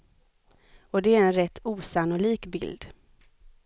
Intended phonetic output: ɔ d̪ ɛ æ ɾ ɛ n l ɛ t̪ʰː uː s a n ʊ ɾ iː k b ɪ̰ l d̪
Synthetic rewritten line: ɔ d̪ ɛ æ ɾ ɛ n ɾ ɛ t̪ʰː uː s a n ʊ l iː k b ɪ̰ l d̪